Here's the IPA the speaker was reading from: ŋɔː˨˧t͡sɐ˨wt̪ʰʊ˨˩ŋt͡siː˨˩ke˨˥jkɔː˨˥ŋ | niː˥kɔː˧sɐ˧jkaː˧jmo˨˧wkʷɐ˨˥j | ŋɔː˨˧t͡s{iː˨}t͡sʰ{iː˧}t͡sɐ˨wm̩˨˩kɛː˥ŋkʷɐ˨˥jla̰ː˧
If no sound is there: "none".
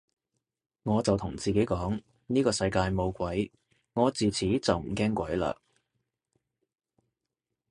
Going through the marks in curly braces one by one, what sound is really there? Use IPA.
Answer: iː˨, iː˨˥

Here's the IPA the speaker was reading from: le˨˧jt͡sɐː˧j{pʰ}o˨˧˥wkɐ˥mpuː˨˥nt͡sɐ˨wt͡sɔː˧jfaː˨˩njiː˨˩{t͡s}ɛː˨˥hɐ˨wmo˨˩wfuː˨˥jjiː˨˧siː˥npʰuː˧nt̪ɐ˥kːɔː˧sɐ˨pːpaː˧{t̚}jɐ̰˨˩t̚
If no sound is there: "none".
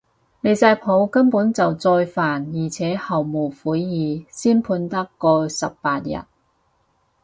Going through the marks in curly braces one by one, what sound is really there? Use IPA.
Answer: pʰ, t͡sʰ, t̚

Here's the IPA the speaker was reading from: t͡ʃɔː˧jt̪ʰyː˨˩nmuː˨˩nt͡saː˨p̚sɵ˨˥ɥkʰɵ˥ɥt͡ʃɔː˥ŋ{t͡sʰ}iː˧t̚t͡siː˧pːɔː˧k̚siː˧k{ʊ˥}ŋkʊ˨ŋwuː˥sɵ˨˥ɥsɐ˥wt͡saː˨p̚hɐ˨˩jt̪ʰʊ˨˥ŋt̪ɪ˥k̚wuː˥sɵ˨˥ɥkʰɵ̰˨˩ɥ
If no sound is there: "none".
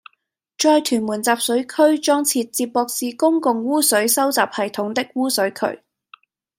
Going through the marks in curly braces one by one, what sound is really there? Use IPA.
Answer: t͡sʰ, ʊ˥

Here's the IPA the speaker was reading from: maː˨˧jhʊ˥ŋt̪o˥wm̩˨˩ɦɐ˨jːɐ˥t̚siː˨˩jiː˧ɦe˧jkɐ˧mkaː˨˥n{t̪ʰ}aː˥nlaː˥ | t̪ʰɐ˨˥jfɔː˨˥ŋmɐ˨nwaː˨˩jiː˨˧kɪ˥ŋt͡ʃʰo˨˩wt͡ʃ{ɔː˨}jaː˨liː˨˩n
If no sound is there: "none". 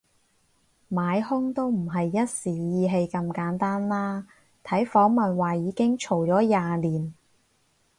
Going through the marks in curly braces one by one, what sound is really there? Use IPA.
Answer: t̪, ɔː˨˥

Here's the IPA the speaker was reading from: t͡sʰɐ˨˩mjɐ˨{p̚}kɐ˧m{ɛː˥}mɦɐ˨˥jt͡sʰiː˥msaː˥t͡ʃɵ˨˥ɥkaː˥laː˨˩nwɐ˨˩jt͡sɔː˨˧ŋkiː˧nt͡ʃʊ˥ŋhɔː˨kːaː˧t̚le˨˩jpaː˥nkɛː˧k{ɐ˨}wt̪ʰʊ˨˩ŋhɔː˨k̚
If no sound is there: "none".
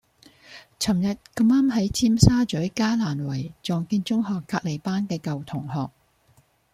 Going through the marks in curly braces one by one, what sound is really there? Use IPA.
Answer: t̚, aː˥, ɐ˨

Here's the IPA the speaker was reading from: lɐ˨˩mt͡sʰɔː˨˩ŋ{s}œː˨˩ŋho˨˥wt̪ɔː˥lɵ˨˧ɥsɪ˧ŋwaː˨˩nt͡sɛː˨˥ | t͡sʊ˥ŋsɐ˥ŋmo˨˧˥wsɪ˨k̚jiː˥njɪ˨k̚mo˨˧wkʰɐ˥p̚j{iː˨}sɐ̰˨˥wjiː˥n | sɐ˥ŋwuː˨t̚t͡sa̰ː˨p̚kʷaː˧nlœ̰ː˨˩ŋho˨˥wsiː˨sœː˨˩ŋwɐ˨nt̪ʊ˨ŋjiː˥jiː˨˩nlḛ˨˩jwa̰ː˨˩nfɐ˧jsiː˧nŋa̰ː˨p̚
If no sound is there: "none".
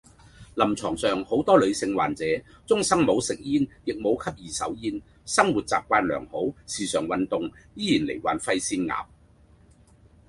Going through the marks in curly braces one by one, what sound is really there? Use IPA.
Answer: s, iː˨

